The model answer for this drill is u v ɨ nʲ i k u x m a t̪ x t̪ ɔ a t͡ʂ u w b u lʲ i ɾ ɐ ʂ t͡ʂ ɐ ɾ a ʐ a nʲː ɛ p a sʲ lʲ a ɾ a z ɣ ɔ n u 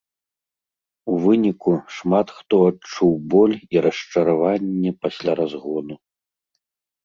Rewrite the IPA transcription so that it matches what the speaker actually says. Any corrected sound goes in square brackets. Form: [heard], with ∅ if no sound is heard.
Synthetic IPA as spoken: u v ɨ nʲ i k u [ʂ] m a t̪ x t̪ ɔ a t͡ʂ u w b [ɔ] lʲ i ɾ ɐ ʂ t͡ʂ ɐ ɾ a [v] a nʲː ɛ p a sʲ lʲ a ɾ a z ɣ ɔ n u